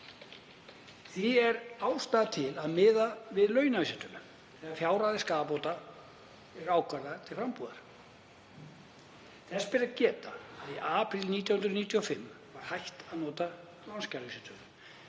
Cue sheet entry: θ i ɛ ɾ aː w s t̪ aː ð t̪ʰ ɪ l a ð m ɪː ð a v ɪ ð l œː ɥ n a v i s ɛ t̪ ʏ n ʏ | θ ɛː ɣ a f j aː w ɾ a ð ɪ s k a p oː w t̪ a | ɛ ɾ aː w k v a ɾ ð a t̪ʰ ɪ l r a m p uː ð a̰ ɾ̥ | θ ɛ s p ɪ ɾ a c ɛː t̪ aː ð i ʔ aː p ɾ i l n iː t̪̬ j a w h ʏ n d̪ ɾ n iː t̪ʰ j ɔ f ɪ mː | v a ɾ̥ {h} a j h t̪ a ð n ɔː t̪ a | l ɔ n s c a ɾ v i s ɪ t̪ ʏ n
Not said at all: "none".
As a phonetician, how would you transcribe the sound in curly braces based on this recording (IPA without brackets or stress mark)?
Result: h